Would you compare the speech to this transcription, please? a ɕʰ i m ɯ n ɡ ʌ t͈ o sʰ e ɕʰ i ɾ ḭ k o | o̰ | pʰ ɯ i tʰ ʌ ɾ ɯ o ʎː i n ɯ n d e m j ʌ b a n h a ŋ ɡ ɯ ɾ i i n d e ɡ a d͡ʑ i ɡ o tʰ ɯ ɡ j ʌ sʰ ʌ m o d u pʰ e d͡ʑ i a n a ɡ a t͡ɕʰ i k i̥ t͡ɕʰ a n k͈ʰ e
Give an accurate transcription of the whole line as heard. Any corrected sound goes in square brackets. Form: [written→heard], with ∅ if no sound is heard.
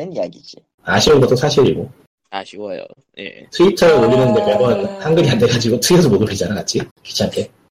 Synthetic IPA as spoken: a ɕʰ i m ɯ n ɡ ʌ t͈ o sʰ [e→a] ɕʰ i ɾ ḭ [k→ɡ] o | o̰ | [pʰ→tʰ] ɯ i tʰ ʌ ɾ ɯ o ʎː i n ɯ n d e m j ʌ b [a→ʌ] n h a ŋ ɡ ɯ ɾ i [i→a] n d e ɡ a d͡ʑ i ɡ o tʰ ɯ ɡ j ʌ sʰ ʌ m o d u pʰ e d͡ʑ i a n a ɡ a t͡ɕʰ i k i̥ t͡ɕʰ a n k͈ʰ e